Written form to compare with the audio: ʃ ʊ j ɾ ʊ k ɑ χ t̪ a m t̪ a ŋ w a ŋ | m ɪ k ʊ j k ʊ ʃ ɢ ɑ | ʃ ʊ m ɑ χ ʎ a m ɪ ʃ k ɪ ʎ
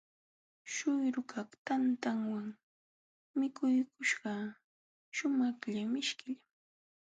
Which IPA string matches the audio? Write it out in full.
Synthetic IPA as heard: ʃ ʊ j ɾ ʊ k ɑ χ t̪ a n t̪ a ŋ w a ŋ | m ɪ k ʊ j k ʊ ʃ ɢ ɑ | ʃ ʊ m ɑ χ ʎ a m ɪ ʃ k ɪ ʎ